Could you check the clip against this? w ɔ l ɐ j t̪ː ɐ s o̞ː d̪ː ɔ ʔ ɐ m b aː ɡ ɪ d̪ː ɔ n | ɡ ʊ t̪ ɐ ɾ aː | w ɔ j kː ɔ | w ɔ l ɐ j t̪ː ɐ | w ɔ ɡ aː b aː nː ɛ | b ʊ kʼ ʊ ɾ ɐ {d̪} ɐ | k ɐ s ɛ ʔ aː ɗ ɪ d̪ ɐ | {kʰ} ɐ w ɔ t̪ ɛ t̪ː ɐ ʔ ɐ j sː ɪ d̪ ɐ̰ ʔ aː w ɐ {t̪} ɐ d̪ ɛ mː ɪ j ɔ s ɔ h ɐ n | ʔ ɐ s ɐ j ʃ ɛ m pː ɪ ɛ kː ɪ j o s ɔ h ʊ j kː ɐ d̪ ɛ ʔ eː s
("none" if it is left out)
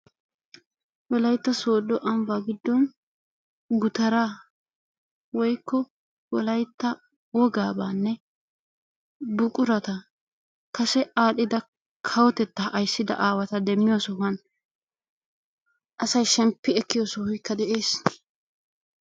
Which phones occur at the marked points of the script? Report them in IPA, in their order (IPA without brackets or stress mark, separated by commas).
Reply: t̪, kʰ, t̪